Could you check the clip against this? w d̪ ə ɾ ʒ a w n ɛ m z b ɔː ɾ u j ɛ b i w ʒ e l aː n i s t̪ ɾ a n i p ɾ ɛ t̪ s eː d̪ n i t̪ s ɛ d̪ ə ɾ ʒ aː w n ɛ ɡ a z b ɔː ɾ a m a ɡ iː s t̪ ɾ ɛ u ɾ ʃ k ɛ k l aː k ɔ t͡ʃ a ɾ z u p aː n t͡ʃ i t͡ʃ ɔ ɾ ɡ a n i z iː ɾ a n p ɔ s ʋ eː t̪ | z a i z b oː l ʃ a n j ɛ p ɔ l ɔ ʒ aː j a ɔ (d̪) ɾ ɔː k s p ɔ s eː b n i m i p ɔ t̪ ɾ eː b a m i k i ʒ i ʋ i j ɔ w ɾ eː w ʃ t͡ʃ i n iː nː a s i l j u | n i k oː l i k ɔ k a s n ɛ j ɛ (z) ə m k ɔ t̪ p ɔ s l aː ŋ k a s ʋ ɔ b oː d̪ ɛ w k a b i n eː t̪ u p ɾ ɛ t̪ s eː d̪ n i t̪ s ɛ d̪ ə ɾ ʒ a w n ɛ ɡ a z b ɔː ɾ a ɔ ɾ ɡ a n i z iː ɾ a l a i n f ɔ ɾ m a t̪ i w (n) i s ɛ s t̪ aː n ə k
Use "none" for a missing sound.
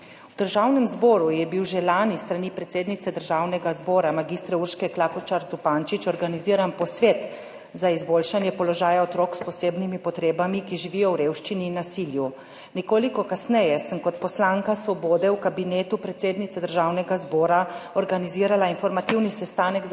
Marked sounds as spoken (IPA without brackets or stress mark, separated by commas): t̪, s, n